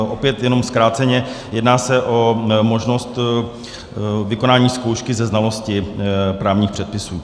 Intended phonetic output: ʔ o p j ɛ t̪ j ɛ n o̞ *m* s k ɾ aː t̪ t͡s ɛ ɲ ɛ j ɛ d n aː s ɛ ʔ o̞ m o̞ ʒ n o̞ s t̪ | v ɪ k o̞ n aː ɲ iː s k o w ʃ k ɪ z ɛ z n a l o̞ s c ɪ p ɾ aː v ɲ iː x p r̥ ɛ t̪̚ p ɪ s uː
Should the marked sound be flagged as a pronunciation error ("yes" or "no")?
no